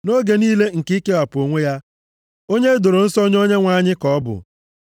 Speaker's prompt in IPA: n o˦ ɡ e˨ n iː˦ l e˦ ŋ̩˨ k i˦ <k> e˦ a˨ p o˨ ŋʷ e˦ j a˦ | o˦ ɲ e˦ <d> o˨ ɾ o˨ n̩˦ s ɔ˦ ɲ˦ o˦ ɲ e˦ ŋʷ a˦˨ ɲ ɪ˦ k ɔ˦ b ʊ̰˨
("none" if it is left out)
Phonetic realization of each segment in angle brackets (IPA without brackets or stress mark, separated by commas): k, d